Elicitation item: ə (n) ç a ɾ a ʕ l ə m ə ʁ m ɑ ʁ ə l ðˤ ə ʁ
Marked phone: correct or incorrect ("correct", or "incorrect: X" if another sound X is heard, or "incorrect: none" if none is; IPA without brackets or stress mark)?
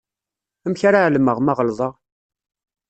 incorrect: m